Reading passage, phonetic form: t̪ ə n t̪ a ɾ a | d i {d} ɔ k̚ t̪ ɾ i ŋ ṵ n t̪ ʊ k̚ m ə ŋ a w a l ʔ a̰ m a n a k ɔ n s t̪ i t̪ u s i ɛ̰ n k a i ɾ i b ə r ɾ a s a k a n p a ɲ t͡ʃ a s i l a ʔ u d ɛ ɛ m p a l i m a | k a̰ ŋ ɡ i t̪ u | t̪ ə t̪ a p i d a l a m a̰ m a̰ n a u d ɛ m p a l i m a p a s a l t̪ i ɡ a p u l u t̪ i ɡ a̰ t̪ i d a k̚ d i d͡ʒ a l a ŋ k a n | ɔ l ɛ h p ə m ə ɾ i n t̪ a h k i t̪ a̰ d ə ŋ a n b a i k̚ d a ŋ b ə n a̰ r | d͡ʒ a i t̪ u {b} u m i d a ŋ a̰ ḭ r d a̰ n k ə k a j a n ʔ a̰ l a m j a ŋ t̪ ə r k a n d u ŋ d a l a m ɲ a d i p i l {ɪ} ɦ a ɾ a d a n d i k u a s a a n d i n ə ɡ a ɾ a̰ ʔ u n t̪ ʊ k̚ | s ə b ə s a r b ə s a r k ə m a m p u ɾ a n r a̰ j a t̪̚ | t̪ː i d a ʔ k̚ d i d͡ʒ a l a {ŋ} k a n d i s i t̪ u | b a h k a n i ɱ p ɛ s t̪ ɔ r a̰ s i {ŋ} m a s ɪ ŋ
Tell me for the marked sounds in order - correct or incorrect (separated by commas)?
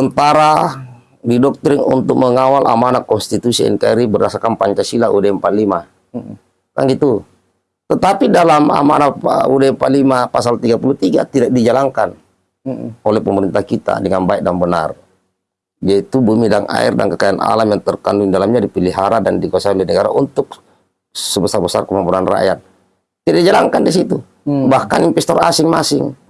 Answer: correct, correct, incorrect, correct, correct